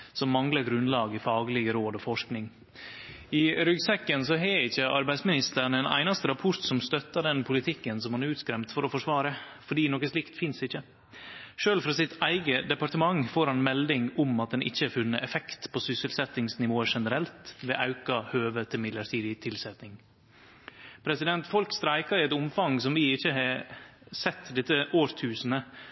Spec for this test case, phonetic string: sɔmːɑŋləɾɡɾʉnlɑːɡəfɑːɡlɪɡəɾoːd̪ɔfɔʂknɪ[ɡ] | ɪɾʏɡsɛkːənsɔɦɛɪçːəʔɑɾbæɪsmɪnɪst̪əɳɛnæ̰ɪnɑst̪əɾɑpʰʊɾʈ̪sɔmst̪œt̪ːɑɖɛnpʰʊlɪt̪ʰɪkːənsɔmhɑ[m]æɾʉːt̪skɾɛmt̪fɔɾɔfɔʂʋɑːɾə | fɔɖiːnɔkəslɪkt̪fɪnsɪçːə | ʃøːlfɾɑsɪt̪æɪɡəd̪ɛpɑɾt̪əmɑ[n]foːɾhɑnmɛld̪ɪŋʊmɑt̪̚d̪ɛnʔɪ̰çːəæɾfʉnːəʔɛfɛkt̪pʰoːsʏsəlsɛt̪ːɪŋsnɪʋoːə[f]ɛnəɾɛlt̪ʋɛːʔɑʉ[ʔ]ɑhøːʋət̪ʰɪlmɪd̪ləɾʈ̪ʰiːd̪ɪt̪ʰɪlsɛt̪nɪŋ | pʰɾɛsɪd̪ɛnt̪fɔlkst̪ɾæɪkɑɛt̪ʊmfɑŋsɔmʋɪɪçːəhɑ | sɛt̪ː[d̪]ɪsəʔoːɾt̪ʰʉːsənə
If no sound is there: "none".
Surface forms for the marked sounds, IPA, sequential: ŋ, n, ŋ, ʂ, k, d̪

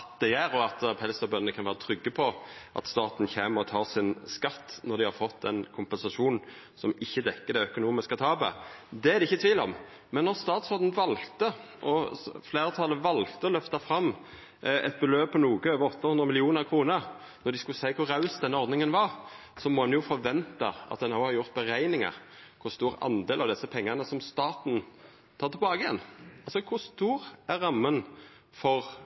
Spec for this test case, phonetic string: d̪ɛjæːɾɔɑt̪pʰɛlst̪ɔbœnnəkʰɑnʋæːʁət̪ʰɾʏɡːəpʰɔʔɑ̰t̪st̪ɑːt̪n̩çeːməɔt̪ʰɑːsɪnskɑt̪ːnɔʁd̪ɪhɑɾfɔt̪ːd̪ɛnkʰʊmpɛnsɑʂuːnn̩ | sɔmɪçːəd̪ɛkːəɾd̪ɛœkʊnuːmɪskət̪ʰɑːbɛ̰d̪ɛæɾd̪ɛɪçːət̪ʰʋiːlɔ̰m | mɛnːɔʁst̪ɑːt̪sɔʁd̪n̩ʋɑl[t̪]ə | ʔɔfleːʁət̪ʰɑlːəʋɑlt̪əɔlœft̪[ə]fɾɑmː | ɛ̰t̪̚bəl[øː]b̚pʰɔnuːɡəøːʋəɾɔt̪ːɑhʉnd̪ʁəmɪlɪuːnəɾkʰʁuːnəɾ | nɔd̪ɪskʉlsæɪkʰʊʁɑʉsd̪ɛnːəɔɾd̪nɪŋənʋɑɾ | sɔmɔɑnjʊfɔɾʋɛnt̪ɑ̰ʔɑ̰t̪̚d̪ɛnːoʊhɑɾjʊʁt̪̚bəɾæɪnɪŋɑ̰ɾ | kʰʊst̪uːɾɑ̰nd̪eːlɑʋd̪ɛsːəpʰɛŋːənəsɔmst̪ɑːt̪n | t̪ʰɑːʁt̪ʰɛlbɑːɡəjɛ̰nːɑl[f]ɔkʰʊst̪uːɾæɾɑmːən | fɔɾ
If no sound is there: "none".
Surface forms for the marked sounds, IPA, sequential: t̪, ɑ, øː, s

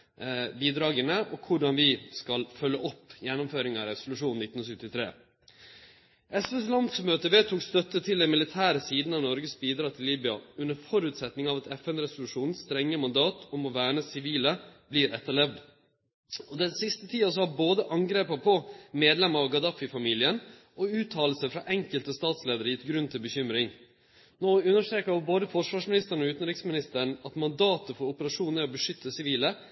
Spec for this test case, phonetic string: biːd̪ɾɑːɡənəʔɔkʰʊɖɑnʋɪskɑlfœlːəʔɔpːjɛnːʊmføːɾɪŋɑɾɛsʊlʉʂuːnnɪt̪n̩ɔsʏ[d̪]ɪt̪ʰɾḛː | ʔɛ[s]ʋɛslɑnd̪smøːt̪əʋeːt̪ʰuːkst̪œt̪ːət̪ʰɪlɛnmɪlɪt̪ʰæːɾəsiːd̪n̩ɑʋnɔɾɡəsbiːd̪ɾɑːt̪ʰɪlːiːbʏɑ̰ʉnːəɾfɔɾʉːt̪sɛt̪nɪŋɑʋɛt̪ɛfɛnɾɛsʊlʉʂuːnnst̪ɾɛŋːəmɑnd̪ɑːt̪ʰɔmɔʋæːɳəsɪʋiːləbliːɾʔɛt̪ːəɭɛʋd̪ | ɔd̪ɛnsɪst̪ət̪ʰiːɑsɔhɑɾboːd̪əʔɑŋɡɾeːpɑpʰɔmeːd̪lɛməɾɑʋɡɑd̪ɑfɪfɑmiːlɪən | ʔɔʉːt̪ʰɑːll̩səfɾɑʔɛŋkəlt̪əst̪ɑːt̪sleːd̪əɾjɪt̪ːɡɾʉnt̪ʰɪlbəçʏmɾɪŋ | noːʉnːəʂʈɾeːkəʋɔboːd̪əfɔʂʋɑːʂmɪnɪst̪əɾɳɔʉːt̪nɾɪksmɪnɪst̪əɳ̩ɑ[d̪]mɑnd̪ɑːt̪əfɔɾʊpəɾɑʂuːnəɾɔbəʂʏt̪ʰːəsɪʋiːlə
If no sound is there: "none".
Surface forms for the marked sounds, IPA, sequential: t̪, s, t̪

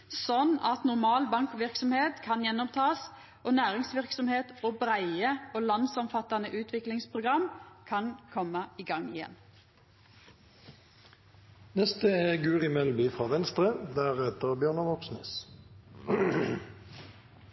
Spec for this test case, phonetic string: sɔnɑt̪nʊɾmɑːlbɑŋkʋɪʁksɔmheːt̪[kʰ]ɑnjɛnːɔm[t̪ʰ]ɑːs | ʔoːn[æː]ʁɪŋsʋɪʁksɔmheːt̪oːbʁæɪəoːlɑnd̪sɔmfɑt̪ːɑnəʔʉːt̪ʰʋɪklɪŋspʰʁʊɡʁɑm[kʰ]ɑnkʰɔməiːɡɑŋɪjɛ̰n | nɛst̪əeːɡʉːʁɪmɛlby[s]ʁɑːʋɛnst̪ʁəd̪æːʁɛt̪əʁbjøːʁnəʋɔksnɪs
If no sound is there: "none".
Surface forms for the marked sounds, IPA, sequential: kʰ, t̪ʰ, æː, kʰ, f

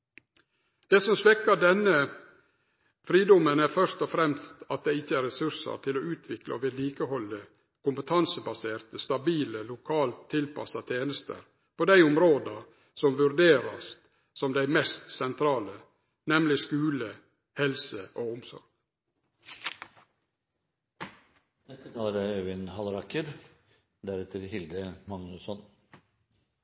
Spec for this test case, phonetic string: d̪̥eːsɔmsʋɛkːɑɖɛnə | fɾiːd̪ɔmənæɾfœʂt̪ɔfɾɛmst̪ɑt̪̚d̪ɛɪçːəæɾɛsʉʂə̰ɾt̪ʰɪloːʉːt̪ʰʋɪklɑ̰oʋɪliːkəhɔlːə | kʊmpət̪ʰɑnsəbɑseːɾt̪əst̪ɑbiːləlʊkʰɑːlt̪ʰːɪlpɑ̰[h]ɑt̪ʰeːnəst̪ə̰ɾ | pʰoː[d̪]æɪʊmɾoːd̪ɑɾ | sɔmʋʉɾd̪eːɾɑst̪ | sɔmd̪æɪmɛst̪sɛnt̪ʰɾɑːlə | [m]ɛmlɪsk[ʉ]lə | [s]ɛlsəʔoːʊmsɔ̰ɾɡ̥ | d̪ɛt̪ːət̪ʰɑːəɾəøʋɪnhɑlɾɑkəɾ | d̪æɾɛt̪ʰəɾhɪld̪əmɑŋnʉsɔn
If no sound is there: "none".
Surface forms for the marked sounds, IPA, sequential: s, d̪, n, ʉː, h

